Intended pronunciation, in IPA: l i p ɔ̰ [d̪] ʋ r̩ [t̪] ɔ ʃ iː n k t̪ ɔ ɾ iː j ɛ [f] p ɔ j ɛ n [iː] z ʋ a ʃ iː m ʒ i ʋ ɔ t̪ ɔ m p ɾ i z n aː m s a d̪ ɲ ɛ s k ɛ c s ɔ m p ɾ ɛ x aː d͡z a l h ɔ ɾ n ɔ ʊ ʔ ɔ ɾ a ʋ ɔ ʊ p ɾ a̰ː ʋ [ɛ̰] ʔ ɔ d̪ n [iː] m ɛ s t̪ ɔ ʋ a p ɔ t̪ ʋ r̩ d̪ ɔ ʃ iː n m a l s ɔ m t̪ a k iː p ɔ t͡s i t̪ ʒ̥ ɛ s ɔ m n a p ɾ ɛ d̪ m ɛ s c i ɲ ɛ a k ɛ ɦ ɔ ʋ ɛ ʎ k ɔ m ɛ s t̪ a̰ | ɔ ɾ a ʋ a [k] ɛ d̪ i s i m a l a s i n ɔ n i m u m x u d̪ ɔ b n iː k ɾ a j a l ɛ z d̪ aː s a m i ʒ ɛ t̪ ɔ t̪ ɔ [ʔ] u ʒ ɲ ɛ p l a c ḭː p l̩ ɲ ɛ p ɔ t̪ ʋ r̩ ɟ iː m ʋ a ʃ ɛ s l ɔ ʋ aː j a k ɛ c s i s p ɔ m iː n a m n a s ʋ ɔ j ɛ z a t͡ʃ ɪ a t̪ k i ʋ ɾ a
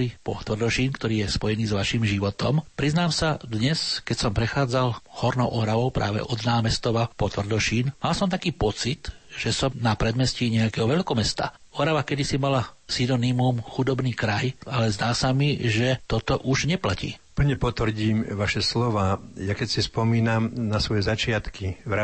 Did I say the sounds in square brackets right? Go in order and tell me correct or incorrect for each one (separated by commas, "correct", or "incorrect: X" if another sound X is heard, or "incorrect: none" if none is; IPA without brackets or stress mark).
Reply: incorrect: t̪, incorrect: d̪, incorrect: s, correct, correct, incorrect: aː, correct, correct